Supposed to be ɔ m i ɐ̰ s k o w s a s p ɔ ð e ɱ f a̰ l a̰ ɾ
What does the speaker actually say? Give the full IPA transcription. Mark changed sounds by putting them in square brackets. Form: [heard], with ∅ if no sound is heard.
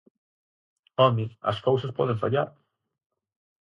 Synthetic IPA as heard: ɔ m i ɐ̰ s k o w s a s p ɔ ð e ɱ f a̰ [ʎ] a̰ ɾ